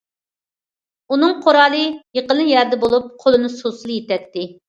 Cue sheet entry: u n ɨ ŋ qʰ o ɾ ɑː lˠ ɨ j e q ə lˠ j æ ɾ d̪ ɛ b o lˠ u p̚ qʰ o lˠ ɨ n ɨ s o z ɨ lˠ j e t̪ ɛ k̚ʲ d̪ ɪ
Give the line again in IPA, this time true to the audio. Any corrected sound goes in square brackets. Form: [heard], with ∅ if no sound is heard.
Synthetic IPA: u n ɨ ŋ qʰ o ɾ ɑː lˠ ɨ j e q ə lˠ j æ ɾ d̪ ɛ b o lˠ u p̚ qʰ o lˠ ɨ n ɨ s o [s] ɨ lˠ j e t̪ ɛ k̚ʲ [t̪] ɪ